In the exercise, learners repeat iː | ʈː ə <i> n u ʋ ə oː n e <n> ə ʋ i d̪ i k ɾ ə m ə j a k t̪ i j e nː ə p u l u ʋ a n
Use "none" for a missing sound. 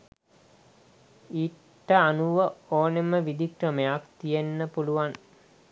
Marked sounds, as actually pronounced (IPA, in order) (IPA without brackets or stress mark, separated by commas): a, m